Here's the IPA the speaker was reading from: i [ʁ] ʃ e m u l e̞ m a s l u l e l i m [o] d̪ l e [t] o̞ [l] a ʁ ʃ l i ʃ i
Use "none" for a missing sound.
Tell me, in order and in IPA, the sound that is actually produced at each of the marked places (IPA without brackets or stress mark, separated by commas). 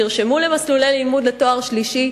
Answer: ʁ, u, t, none